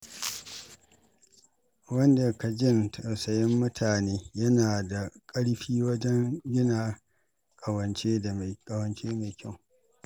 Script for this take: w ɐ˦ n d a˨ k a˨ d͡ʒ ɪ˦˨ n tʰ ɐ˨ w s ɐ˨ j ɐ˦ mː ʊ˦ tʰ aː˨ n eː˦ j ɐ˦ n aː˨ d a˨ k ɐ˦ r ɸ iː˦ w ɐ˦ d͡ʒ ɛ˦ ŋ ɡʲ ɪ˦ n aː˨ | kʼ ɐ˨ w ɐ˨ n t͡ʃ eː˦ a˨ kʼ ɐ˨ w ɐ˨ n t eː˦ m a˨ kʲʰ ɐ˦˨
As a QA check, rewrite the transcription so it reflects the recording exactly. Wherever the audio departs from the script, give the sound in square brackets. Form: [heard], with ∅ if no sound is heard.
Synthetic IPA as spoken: w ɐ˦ n d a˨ k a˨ d͡ʒ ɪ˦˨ n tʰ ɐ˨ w s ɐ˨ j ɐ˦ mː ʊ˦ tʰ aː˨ n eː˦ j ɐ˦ n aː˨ d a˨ [kʼ] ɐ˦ [ɽ] ɸ iː˦ w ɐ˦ d͡ʒ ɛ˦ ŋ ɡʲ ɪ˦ n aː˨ | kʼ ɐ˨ w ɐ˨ n t͡ʃ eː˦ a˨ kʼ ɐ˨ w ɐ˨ n [t͡ʃ] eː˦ m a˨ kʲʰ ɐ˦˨